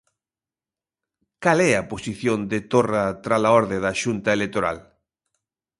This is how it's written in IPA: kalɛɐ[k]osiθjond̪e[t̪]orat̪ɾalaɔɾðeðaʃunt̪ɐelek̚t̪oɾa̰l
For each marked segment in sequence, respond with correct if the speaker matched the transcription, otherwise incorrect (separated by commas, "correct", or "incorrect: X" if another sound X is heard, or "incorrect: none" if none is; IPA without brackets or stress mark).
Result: incorrect: p, correct